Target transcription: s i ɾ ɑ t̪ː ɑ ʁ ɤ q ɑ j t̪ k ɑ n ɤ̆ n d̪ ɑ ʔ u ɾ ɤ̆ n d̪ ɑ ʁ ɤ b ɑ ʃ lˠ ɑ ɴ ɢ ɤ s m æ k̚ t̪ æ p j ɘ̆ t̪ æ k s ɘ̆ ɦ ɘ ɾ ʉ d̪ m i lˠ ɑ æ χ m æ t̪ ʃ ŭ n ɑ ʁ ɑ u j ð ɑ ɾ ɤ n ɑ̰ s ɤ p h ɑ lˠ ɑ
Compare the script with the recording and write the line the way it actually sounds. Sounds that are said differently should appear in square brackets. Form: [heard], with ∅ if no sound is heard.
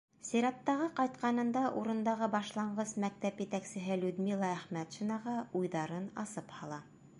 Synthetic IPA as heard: s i ɾ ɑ t̪ː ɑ ʁ ɤ q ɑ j t̪ [q] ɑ n ɤ̆ n d̪ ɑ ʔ u ɾ ɤ̆ n d̪ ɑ ʁ ɤ b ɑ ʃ lˠ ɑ ɴ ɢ ɤ s m æ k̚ t̪ æ p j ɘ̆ t̪ æ k s ɘ̆ ɦ ɘ [l] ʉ d̪ m i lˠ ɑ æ χ m æ t̪ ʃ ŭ n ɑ ʁ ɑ u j ð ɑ ɾ ɤ n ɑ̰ s ɤ p h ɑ lˠ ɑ